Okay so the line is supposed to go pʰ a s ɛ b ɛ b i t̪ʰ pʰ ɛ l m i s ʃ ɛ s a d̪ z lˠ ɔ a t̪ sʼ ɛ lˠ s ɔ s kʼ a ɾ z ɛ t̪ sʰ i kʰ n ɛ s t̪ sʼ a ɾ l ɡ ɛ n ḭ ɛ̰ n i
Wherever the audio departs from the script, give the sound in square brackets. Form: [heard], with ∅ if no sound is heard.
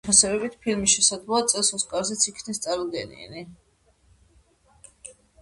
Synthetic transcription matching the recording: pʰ a s ɛ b ɛ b i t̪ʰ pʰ [i] l m i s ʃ ɛ s a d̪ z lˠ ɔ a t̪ sʼ ɛ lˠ s ɔ s kʼ a ɾ z ɛ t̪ sʰ i kʰ n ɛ s t̪ sʼ a ɾ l ɡ ɛ n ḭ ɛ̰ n i